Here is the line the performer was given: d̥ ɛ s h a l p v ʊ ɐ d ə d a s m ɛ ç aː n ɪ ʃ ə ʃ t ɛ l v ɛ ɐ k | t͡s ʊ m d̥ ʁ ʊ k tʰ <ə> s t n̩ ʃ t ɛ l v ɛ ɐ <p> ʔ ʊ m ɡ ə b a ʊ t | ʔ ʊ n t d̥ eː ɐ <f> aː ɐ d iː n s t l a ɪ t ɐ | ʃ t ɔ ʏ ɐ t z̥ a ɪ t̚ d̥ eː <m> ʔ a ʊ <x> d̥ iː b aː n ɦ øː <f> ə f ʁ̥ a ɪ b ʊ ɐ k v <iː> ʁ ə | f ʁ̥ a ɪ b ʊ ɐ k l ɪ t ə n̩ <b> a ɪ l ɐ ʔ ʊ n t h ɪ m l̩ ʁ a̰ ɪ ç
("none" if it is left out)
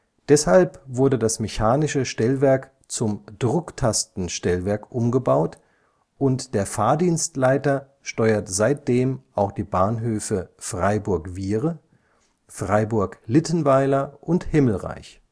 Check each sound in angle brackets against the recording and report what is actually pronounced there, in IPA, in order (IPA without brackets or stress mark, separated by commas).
a, k, f, m, x, f, iː, v